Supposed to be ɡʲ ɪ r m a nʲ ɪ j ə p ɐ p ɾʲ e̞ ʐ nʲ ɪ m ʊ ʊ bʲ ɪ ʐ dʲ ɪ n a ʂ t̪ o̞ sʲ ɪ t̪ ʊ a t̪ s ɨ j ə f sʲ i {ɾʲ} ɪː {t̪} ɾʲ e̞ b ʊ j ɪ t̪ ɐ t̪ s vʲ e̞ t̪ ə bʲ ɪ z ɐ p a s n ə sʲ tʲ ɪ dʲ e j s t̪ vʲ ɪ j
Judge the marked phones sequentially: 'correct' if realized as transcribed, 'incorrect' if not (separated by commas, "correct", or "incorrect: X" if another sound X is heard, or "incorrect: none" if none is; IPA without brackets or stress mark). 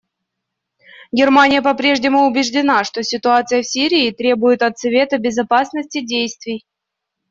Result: correct, correct